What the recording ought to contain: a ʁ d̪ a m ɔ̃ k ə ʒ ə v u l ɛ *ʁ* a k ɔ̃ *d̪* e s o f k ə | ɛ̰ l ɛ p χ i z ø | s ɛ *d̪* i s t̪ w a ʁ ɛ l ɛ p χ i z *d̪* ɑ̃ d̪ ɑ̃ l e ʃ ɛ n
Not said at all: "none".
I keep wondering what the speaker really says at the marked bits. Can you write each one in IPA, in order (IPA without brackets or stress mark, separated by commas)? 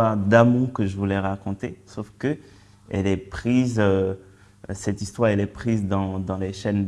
ʁ, t̪, t̪, d̪